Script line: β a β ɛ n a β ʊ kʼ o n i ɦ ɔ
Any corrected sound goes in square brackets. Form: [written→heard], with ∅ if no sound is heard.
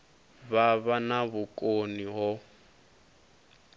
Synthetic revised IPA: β a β [ɛ→a] n a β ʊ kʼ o n i ɦ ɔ